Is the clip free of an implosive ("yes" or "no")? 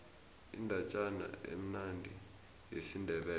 no